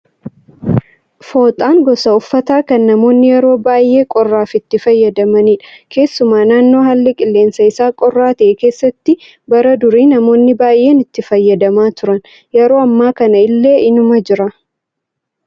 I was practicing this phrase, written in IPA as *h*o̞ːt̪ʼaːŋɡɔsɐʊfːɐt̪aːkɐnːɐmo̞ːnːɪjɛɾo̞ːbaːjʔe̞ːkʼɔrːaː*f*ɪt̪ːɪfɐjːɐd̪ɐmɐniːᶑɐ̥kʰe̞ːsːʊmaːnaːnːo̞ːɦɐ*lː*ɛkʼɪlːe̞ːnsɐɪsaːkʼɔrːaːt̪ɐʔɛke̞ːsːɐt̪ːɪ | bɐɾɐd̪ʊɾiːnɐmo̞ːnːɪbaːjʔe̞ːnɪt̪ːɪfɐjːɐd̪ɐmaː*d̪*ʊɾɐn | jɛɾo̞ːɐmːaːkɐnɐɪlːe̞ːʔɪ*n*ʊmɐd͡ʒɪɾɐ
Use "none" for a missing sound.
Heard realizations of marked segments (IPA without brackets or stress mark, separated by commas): f, f, lː, t̪, n